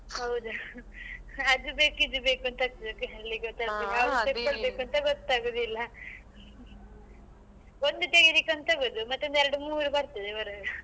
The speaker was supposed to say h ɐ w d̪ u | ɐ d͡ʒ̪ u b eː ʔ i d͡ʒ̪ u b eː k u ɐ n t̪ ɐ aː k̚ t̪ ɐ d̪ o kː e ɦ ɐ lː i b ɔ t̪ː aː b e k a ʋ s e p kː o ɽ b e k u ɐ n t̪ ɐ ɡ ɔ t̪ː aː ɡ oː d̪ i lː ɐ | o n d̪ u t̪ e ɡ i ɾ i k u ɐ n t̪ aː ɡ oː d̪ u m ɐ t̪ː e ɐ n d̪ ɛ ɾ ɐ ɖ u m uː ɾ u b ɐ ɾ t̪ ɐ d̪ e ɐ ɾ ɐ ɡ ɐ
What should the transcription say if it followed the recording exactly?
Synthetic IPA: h ɐ w d̪ u | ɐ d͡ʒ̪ u b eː k i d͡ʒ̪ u b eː k u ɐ n t̪ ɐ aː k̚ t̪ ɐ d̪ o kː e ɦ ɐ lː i ɡ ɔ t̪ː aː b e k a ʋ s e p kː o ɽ b e k u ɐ n t̪ ɐ ɡ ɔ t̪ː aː ɡ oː d̪ i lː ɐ | o n d̪ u t̪ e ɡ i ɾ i k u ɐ n t̪ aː ɡ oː d̪ u m ɐ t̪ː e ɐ n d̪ ɛ ɾ ɐ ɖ u m uː ɾ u b ɐ ɾ t̪ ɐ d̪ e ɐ ɾ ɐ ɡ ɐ

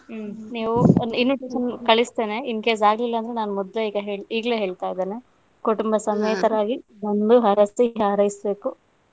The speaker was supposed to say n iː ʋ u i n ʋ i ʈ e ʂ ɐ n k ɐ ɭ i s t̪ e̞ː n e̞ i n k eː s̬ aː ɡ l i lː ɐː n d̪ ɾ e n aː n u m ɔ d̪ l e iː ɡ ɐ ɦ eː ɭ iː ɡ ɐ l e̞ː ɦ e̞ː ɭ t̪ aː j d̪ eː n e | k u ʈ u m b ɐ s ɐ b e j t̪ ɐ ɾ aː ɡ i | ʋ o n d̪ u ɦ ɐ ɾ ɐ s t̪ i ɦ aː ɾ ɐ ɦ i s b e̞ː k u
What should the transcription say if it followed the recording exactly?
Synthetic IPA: n iː ʋ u i n ʋ i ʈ e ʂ ɐ n k ɐ ɭ i s t̪ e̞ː n e̞ i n k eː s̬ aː ɡ l i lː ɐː n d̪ ɾ e n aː n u m ɔ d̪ l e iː ɡ ɐ ɦ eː ɭ iː ɡ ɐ l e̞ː ɦ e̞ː ɭ t̪ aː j d̪ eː n e | k u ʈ u m b ɐ s ɐ m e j t̪ ɐ ɾ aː ɡ i | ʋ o n d̪ u ɦ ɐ ɾ ɐ s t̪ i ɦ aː ɾ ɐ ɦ i s b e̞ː k u

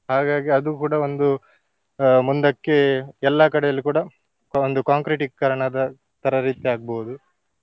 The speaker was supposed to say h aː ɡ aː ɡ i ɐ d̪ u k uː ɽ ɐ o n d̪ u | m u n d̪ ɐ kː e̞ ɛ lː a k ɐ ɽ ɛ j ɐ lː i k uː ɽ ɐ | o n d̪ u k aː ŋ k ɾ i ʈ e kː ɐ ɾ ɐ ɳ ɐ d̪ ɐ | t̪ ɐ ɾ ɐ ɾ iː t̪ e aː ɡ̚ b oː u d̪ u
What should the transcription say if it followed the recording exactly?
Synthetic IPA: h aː ɡ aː ɡ i ɐ d̪ u k uː ɽ ɐ o n d̪ u | m u n d̪ ɐ kː e̞ ɛ lː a k ɐ ɽ ɛ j ɐ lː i k uː ɽ ɐ | o n d̪ u k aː ŋ k ɾ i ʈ i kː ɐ ɾ ɐ ɳ ɐ d̪ ɐ | t̪ ɐ ɾ ɐ ɾ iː t̪ i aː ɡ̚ b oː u d̪ u

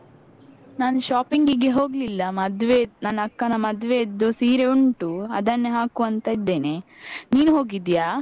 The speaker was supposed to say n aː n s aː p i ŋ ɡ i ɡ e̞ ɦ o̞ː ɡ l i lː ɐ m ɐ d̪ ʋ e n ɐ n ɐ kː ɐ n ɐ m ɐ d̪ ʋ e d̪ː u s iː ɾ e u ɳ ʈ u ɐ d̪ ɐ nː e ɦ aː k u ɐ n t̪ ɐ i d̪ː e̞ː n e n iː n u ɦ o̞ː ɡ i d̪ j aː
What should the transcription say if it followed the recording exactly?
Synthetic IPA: n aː n ʃ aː p i ŋ ɡ i ɡ e̞ ɦ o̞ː ɡ l i lː ɐ m ɐ d̪ ʋ e n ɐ n ɐ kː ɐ n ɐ m ɐ d̪ ʋ e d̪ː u s iː ɾ e u ɳ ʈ u ɐ d̪ ɐ nː e ɦ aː k u ɐ n t̪ ɐ i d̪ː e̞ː n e n iː n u ɦ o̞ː ɡ i d̪ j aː

